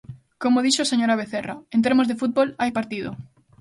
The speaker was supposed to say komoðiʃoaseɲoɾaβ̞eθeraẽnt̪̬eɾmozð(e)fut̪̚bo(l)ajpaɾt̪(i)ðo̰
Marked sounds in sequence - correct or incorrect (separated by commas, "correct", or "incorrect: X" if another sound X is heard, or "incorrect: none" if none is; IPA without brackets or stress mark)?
correct, correct, correct